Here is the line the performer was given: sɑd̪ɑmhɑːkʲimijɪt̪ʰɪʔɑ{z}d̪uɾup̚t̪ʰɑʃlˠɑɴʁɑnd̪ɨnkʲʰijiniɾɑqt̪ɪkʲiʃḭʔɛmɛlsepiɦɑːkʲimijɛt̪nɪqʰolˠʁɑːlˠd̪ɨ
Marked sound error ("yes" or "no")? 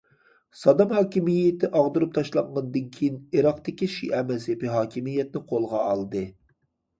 yes